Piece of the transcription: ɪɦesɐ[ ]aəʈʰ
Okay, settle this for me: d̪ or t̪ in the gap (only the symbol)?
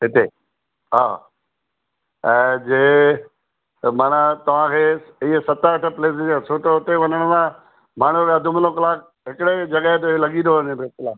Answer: t̪